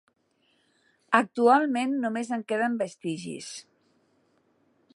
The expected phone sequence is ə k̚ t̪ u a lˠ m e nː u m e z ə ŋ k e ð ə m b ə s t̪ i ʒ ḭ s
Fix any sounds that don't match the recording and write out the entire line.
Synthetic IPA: ə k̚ t̪ u a lˠ m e nː u m e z ə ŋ k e ð ə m b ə s t̪ i ʒ ḭ s